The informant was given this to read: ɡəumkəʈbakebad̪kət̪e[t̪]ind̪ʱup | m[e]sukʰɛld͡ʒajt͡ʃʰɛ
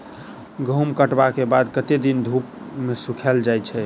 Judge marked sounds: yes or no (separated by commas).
no, yes